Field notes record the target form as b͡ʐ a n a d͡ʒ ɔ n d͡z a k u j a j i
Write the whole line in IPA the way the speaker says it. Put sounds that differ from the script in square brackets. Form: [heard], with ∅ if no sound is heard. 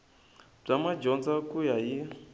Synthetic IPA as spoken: b͡ʐ a [m] a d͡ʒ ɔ n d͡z a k u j a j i